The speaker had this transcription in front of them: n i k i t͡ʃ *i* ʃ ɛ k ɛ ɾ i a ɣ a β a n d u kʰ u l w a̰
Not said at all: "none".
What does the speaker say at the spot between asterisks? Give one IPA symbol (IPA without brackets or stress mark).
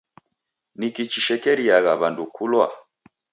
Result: i